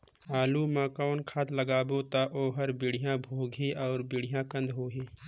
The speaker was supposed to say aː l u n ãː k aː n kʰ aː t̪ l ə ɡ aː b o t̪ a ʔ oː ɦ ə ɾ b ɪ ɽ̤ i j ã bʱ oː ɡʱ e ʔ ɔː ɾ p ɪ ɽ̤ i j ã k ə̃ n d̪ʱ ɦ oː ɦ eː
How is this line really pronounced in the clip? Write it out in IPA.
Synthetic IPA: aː l u m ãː k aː n kʰ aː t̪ l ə ɡ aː b o t̪ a ʔ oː ɦ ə ɾ b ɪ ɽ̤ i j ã bʱ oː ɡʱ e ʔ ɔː ɾ b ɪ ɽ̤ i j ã k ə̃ n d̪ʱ ɦ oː ɦ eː